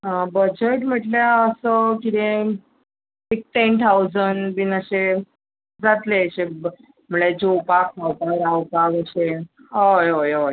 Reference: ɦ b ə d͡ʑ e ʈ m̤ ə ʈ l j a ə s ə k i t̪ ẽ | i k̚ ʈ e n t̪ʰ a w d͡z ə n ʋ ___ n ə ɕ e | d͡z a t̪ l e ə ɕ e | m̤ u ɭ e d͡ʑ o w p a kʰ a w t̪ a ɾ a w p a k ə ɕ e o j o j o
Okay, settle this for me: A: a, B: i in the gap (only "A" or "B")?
B